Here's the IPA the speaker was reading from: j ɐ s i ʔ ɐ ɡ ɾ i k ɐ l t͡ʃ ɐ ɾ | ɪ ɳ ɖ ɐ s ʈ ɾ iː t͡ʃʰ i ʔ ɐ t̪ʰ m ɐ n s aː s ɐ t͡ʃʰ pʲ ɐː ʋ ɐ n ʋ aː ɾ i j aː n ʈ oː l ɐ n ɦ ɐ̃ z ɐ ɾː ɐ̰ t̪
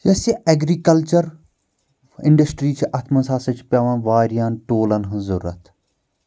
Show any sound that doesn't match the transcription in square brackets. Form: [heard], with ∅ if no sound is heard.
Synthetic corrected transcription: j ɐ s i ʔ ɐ ɡ ɾ i k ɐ l t͡ʃ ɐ ɾ | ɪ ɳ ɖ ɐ s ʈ ɾ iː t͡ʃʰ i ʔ ɐ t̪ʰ m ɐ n s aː s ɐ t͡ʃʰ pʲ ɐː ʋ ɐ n ʋ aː ɾ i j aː n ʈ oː l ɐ n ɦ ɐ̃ z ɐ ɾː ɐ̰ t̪